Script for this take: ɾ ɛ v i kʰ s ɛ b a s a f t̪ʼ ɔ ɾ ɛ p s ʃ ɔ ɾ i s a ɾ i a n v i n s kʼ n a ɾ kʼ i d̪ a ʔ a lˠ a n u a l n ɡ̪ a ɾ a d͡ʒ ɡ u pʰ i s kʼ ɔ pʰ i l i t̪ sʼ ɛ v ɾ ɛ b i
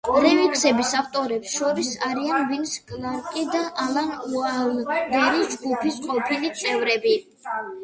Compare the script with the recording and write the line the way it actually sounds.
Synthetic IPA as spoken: ɾ ɛ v i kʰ s ɛ b i s a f t̪ʼ ɔ ɾ ɛ p s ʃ ɔ ɾ i s a ɾ i a n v i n s kʼ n a ɾ kʼ i d̪ a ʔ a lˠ a n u a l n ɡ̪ ɛ ɾ i d͡ʒ ɡ u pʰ i s qʼ ɔ pʰ i l i t̪ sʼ ɛ v ɾ ɛ b i